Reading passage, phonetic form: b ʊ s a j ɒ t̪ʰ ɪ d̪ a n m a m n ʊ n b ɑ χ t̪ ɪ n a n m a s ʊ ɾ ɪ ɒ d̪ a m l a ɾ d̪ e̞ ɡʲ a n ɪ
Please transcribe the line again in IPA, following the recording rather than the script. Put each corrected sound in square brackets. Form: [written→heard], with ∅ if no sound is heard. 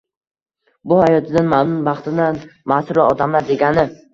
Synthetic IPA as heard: b ʊ [s→h] a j ɒ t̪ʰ ɪ d̪ a n m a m n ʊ n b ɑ χ t̪ ɪ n a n m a s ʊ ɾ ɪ ɒ d̪ a m l a ɾ d̪ e̞ ɡʲ a n ɪ